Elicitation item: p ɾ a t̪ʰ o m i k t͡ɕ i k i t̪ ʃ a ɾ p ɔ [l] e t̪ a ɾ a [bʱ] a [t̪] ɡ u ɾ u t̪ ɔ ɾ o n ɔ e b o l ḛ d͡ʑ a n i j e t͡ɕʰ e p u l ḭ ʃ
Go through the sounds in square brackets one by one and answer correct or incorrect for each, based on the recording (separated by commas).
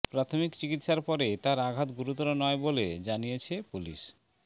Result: incorrect, incorrect, correct